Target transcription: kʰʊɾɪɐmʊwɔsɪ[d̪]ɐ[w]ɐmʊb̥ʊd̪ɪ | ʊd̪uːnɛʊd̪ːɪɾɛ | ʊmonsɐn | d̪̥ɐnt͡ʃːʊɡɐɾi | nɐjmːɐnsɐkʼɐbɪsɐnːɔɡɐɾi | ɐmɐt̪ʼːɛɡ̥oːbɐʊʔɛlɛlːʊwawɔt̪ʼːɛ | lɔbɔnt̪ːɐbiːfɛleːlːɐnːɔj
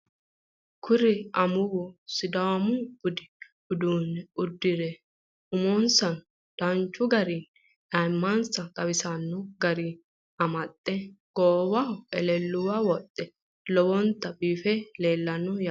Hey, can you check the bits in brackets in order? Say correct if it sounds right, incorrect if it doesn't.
correct, correct

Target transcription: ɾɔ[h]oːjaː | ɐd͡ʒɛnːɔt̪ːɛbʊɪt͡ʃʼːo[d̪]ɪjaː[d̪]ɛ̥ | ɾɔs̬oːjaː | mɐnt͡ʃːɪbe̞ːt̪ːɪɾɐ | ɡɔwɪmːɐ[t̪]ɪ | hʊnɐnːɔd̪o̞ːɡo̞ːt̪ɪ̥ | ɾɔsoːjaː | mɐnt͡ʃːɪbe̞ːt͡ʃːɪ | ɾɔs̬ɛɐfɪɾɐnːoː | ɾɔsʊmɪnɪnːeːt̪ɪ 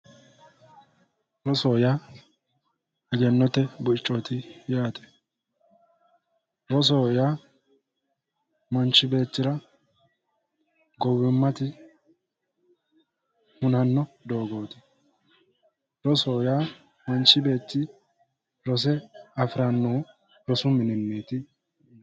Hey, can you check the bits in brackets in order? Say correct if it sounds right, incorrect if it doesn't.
incorrect: s, incorrect: t̪, incorrect: t̪, correct

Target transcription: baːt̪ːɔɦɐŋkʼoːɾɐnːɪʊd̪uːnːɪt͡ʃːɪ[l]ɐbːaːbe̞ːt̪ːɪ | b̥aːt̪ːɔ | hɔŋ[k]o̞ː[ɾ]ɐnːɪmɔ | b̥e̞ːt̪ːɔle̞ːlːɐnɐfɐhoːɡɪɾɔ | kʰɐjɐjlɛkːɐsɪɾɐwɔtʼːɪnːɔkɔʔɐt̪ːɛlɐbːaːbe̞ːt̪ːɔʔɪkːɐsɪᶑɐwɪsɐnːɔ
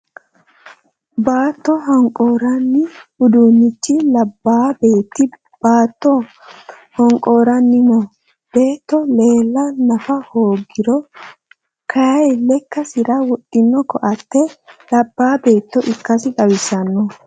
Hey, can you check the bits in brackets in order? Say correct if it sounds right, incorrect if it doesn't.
correct, incorrect: kʼ, correct

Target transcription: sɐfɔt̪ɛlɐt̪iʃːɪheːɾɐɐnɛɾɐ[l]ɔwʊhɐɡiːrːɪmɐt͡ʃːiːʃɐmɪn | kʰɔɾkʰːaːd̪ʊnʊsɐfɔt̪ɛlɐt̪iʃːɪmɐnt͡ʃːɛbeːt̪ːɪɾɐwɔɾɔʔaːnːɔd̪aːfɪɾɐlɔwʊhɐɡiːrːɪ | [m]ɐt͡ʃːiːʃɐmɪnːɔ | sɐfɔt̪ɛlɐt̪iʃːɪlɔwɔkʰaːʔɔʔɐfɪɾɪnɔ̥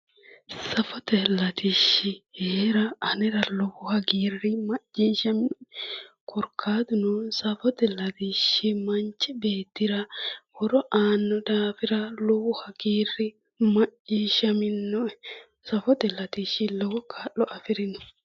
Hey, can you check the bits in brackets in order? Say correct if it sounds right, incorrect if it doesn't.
correct, correct

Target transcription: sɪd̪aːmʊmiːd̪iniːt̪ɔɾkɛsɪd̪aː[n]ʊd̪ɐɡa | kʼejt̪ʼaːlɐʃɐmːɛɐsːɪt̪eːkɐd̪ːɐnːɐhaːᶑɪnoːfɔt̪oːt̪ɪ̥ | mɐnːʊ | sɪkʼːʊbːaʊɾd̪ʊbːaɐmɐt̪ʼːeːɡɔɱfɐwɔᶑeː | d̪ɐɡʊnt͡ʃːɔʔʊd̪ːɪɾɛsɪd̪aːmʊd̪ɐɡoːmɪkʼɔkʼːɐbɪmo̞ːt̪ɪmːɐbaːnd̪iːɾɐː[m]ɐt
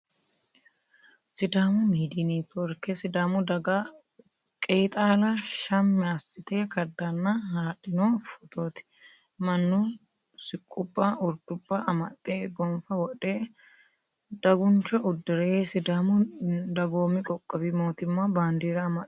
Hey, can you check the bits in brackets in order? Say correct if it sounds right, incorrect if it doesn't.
incorrect: m, correct

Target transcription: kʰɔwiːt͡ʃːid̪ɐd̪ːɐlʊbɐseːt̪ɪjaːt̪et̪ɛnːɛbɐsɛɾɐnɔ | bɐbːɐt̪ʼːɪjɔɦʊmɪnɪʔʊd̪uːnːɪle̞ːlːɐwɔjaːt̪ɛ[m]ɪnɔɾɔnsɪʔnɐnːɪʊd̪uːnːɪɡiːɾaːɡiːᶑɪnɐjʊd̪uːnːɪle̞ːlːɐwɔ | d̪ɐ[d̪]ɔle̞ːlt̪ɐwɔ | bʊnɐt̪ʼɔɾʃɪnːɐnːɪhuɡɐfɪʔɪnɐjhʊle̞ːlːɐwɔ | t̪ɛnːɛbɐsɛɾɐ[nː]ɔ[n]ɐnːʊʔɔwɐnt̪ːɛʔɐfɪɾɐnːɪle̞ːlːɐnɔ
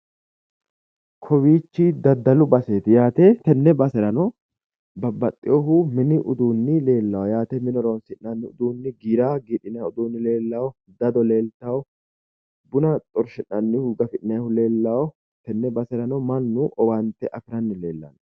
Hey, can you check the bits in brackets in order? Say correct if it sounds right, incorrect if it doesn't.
correct, correct, incorrect: n, incorrect: m

